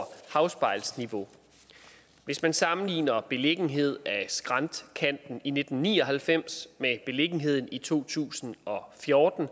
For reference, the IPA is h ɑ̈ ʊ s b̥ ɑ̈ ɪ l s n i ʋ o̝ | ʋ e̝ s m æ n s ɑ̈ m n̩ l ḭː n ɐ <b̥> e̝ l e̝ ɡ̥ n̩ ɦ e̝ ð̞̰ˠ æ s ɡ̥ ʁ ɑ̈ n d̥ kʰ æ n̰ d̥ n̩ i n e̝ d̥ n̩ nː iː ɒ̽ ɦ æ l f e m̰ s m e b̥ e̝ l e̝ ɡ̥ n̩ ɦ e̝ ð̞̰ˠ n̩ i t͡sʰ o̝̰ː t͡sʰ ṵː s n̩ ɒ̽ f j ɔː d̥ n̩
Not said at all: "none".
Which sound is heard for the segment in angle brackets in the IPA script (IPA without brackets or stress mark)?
b̥